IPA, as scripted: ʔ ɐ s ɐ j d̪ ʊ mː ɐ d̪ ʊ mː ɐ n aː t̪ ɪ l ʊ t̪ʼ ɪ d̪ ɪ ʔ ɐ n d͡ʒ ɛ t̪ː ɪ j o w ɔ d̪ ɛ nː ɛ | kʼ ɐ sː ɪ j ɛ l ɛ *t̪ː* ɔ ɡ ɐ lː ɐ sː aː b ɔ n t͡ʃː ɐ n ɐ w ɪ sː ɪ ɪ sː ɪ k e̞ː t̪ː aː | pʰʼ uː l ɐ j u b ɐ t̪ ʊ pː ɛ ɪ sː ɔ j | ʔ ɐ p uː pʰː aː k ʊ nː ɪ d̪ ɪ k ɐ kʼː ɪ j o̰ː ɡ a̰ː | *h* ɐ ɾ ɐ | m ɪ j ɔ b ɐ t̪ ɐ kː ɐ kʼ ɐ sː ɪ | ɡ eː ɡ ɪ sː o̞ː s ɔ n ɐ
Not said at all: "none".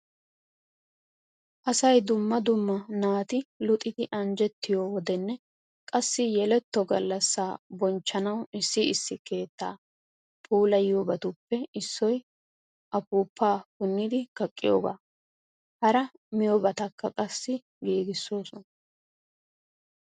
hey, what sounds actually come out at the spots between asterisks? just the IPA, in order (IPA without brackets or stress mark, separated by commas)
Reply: t̪ː, h